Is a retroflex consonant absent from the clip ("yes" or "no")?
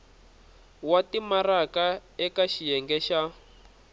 yes